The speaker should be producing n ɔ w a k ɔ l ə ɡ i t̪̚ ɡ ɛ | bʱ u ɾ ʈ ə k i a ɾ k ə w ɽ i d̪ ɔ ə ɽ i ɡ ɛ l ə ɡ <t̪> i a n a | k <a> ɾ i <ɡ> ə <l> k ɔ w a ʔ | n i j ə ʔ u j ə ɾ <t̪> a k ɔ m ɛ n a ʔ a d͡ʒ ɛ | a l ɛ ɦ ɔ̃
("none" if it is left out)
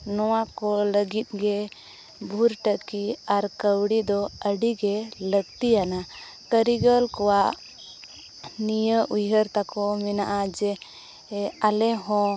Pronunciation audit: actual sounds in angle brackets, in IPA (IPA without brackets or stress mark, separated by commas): t̪, ə, ɡ, l, t̪